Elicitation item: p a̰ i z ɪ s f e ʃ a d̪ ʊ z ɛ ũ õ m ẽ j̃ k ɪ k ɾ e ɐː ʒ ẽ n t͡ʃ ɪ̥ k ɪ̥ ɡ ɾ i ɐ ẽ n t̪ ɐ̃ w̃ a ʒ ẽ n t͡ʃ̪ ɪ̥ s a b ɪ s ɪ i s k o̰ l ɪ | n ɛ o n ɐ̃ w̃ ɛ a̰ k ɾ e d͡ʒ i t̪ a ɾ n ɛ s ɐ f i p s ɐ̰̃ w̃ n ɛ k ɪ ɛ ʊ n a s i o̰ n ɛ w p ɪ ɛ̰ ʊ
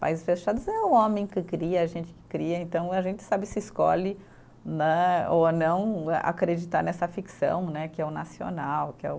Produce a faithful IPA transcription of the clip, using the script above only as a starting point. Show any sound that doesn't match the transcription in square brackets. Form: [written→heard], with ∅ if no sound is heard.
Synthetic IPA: p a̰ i z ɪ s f e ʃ a d̪ ʊ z ɛ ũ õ m ẽ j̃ k ɪ k ɾ [e→i] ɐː ʒ ẽ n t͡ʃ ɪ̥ k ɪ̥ [ɡ→k] ɾ i ɐ ẽ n t̪ ɐ̃ w̃ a ʒ ẽ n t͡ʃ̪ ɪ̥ s a b ɪ s ɪ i s k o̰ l ɪ | n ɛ o n ɐ̃ w̃ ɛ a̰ k ɾ e d͡ʒ i t̪ a ɾ n ɛ s ɐ f i [p→k] s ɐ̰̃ w̃ n ɛ k ɪ ɛ ʊ n a s i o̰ n [ɛ→a] w [p→k] ɪ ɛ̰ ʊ